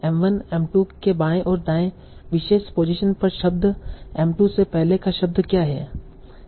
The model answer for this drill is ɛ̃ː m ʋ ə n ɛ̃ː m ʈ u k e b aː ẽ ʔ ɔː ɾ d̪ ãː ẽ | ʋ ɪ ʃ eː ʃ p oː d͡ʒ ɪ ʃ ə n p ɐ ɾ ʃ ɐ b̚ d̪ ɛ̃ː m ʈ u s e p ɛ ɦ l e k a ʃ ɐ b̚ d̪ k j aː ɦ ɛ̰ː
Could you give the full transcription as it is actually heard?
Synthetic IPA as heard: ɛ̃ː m ʋ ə n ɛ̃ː m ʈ u k e b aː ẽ ʔ ɔː ɾ d̪ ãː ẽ | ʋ ɪ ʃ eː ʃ p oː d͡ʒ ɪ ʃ ə n p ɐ ɾ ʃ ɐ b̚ d̪ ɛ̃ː m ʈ u s e p ɛ ɦ l e k a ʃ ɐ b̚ d̪ k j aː ɦ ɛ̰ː